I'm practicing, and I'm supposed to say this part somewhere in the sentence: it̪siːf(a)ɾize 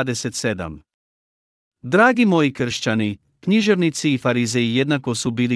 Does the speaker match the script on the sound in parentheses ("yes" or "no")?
yes